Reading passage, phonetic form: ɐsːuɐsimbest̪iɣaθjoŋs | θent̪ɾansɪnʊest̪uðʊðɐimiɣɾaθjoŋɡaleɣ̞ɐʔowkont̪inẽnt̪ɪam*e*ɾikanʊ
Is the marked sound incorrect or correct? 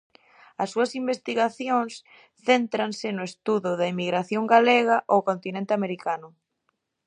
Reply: correct